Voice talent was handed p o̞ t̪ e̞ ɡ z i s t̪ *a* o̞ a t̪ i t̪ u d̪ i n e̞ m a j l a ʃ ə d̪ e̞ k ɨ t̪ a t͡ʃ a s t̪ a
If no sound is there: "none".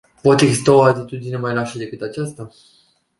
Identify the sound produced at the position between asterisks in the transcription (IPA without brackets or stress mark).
a